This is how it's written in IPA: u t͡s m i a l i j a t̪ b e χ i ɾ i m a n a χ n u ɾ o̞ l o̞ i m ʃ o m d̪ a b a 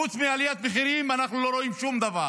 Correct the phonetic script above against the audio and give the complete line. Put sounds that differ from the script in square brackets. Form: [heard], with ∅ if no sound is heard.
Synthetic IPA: u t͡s m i a l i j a t̪ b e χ i ɾ i m a n a χ n u [l] o̞ [ɾ] o̞ i m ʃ [u] m d̪ a [v] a